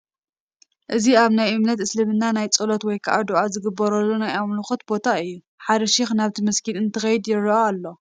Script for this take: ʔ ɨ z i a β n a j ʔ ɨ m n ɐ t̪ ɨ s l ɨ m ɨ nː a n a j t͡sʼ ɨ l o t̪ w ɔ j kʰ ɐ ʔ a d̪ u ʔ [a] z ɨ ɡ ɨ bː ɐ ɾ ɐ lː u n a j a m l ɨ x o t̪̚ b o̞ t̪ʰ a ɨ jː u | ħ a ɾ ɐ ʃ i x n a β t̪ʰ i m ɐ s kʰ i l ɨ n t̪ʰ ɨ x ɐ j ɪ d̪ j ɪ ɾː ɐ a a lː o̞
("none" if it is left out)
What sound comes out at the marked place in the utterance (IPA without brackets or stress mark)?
a